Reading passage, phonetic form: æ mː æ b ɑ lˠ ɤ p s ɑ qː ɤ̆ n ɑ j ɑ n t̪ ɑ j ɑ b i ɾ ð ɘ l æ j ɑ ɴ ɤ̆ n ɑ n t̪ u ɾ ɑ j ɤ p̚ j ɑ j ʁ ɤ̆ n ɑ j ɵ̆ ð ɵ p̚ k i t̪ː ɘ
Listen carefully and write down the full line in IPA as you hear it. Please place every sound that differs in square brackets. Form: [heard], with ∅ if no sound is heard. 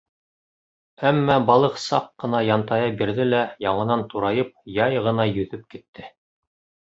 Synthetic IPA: æ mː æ b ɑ lˠ ɤ [q] s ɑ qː ɤ̆ n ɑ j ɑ n t̪ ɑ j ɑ b i ɾ ð ɘ l æ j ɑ ɴ ɤ̆ n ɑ n t̪ u ɾ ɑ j ɤ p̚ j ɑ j ʁ ɤ̆ n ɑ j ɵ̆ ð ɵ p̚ k i t̪ː ɘ